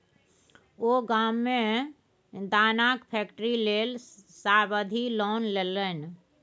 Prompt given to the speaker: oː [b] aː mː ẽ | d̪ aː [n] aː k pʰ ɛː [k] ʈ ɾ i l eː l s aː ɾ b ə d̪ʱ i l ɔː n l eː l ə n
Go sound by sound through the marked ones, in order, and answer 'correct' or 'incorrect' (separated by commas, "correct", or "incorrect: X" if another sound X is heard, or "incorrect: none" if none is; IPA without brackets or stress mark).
incorrect: ɡ, correct, correct